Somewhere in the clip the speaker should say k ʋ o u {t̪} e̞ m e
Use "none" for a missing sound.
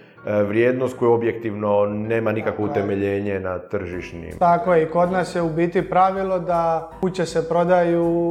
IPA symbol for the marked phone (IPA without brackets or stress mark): t̪